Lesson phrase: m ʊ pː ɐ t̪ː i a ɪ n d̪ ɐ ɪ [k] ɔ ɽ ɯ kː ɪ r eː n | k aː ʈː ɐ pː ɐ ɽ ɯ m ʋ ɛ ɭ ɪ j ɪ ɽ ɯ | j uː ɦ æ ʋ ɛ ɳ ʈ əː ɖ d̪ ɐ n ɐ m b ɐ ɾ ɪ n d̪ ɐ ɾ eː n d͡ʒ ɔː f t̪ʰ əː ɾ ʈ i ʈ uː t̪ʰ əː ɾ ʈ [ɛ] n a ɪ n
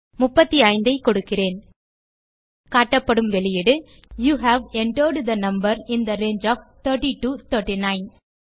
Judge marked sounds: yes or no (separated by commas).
yes, no